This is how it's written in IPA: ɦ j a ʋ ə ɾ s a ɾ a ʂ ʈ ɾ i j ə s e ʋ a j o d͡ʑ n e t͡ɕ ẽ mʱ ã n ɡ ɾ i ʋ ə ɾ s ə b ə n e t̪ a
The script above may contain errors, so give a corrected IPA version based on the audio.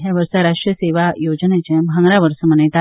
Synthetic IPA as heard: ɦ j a ʋ ə ɾ s a ɾ a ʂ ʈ ɾ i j ə s e ʋ a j o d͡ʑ n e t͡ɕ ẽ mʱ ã ŋ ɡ ɾ a ʋ ə ɾ s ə m ə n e t̪ a